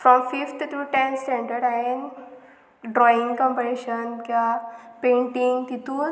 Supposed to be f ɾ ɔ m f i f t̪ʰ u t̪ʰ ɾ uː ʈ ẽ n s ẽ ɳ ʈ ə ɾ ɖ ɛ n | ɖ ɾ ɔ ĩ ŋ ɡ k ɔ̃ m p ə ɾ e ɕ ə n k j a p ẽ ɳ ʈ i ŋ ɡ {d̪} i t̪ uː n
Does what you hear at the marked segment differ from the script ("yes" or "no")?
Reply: yes